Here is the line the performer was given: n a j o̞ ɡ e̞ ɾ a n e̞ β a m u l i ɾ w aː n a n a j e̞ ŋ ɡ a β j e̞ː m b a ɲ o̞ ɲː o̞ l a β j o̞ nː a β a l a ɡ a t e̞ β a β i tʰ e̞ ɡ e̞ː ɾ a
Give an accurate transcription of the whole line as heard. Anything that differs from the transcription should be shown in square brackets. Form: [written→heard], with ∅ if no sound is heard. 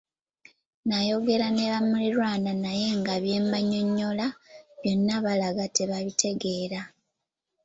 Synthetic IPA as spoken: n a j o̞ ɡ e̞ ɾ a n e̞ β a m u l i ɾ w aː n a n a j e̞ ŋ ɡ a β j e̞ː m b a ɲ o̞ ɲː o̞ l a β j o̞ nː a β a l a ɡ a t e̞ β a β i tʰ e̞ ɡ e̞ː ɾ a